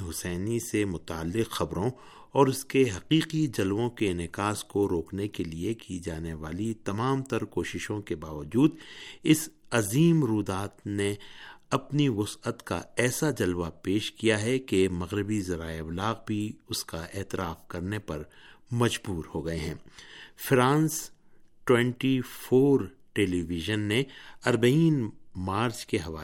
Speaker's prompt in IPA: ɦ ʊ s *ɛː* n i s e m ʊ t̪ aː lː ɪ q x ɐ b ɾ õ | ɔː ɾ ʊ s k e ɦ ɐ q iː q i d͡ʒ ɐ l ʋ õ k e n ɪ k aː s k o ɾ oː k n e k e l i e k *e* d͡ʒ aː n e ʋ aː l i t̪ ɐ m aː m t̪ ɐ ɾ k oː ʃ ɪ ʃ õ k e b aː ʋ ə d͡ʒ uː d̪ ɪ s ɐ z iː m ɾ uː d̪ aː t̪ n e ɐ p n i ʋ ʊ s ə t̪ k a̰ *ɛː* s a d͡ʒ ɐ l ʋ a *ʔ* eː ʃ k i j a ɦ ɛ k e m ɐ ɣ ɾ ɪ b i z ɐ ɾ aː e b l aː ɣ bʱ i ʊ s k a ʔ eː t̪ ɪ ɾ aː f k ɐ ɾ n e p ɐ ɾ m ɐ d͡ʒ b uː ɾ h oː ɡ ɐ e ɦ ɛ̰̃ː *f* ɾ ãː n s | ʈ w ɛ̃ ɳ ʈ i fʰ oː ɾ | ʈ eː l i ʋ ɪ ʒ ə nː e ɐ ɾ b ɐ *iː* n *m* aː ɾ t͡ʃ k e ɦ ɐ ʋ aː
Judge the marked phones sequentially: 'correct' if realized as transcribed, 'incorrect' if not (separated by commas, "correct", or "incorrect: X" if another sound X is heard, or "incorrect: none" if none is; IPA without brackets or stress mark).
correct, incorrect: i, correct, incorrect: p, correct, correct, correct